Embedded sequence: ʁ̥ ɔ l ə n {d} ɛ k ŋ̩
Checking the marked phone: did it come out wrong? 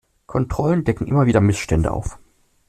no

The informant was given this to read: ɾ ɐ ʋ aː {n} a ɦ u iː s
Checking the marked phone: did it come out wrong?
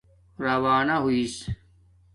no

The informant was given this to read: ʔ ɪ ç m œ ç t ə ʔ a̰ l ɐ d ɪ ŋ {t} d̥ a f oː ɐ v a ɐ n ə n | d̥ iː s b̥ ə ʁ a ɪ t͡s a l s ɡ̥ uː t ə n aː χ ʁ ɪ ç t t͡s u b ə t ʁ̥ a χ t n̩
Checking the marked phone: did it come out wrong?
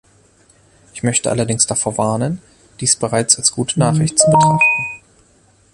yes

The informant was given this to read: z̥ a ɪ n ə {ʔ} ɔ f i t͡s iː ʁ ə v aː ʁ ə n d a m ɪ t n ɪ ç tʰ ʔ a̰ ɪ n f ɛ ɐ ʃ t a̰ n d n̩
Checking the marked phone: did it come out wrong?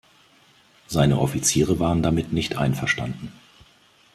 no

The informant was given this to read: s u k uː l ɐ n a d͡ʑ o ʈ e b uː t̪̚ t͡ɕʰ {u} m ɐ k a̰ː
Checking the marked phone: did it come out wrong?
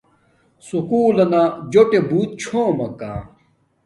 yes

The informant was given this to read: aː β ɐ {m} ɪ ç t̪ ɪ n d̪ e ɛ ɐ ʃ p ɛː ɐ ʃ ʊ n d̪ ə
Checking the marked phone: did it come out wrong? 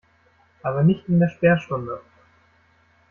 yes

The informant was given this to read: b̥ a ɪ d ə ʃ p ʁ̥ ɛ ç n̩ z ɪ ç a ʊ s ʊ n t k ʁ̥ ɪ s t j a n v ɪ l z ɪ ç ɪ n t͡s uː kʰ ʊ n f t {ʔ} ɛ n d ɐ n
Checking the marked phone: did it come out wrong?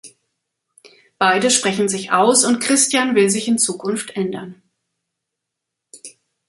no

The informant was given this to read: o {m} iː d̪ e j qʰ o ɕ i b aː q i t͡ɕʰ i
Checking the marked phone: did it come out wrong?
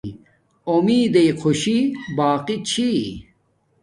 no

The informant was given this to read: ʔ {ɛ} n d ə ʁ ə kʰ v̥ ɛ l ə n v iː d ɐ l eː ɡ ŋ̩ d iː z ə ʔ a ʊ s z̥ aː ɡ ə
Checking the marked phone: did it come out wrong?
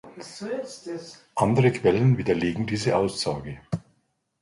yes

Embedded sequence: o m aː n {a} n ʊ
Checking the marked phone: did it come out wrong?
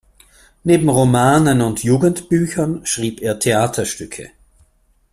yes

